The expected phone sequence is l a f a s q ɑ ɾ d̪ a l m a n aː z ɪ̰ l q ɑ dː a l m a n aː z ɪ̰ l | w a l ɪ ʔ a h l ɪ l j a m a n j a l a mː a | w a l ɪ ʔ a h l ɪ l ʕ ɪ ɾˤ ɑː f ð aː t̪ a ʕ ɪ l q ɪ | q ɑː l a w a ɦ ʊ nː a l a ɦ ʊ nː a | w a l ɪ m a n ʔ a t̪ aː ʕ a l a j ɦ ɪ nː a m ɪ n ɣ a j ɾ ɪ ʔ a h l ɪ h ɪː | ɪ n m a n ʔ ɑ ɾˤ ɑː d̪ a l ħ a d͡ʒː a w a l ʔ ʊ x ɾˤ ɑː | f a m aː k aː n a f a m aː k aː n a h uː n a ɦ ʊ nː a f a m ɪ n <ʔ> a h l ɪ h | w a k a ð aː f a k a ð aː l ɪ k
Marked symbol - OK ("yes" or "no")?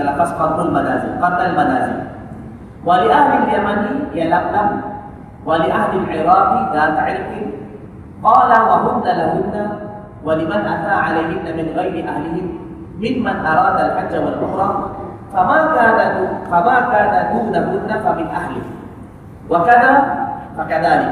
yes